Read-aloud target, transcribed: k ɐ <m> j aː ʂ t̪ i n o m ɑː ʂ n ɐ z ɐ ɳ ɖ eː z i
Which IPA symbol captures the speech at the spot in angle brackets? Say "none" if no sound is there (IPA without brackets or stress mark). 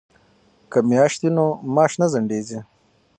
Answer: m